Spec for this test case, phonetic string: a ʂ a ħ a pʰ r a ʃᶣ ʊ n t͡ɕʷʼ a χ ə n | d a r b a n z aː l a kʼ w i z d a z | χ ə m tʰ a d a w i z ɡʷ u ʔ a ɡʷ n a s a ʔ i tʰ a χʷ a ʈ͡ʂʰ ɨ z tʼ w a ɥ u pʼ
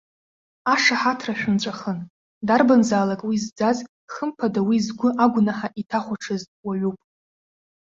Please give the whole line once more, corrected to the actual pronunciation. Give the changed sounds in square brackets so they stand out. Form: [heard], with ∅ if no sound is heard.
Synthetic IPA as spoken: a ʂ a ħ a [tʰ] r a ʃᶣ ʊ n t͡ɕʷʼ a χ ə n | d a r b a n z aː l a kʼ w i z [d͡z] a z | χ ə m [pʰ] a d a w i z ɡʷ [ʊ] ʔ a ɡʷ n a [ħ] a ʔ i tʰ a χʷ a ʈ͡ʂʰ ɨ z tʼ w a ɥ u pʼ